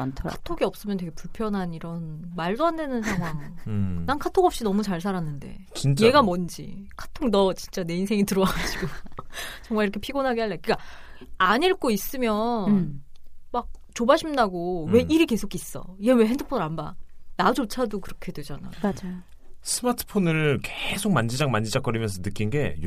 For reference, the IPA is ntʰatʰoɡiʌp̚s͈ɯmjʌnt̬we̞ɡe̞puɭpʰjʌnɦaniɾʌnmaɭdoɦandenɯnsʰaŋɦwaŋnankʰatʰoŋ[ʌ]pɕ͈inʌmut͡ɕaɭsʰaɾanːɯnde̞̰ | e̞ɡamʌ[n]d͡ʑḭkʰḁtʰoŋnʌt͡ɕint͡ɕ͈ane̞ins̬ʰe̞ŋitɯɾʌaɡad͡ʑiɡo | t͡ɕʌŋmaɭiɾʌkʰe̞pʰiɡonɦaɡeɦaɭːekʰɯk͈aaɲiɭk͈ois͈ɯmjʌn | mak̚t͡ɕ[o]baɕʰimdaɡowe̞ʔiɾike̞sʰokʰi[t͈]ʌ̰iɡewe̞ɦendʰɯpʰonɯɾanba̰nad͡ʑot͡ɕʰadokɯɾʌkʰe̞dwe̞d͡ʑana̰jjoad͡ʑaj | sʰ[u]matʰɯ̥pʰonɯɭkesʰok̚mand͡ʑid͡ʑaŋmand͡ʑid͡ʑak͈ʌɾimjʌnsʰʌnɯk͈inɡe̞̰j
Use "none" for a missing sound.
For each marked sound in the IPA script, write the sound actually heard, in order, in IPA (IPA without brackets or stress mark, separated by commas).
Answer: ʌ, n, o, s͈, ɯ